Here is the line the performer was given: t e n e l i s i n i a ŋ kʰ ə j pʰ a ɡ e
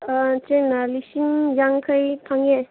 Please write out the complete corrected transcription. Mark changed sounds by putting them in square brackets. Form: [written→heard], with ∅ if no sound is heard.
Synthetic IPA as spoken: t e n [e→a] l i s i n [i→j] a ŋ kʰ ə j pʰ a [ɡ→ŋ] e